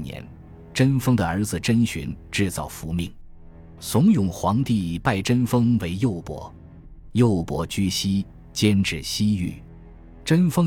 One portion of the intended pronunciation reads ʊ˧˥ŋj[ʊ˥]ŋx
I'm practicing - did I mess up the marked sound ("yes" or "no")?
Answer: yes